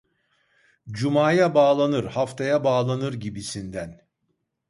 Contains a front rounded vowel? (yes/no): no